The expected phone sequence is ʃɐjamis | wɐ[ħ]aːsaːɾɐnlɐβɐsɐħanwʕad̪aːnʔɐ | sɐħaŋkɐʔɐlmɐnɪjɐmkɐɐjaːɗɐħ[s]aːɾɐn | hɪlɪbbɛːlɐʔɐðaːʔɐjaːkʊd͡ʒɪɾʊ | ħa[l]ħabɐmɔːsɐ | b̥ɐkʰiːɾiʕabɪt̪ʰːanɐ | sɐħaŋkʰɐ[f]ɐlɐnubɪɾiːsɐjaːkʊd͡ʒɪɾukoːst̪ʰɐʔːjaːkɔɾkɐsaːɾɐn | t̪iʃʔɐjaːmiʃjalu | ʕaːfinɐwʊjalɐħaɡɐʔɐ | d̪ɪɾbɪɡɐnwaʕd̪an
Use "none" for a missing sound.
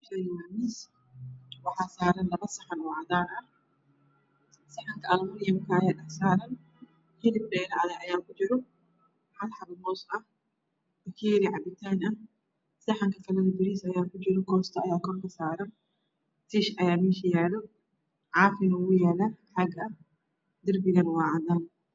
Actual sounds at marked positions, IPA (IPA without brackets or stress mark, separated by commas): ħ, s, l, f